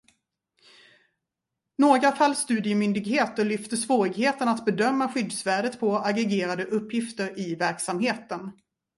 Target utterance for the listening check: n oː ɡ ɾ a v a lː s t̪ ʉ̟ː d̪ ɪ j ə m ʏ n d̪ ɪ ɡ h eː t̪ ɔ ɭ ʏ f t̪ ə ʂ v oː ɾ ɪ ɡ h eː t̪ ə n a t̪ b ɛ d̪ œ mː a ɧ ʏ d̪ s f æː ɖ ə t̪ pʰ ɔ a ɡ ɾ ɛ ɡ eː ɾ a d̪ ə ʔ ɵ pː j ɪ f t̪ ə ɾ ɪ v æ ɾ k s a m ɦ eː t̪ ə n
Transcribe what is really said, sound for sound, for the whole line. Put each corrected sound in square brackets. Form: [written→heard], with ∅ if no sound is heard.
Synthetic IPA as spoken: n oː ɡ ɾ a [v→f] a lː s t̪ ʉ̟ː d̪ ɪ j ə m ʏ n d̪ ɪ ɡ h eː t̪ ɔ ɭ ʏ f t̪ ə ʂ v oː ɾ ɪ ɡ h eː t̪ ə n a t̪ b ɛ d̪ œ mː a ɧ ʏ d̪ s [f→v] æː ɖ ə t̪ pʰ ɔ a ɡ ɾ ɛ ɡ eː ɾ a d̪ ə ʔ ɵ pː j ɪ f t̪ ə ɾ ɪ v æ ɾ k s a m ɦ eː t̪ ə n